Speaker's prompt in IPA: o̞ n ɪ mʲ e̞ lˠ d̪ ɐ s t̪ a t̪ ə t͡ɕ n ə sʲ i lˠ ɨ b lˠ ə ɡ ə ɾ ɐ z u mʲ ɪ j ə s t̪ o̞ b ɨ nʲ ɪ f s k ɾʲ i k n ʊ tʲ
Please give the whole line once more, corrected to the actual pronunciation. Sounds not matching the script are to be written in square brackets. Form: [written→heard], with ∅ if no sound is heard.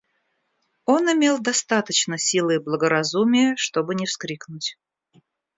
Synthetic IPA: o̞ n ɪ mʲ e̞ lˠ d̪ ɐ s t̪ a t̪ ə t͡ɕ n ə sʲ i lˠ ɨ b lˠ ə ɡ ə ɾ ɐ z u mʲ ɪ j ə [s→ʂ] t̪ o̞ b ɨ nʲ ɪ f s k ɾʲ i k n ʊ tʲ